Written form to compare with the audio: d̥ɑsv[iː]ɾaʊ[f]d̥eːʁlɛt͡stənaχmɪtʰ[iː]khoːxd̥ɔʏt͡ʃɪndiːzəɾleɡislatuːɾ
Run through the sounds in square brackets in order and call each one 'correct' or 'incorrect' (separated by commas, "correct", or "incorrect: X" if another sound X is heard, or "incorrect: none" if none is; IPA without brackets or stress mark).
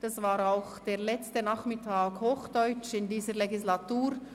incorrect: aː, incorrect: x, incorrect: aː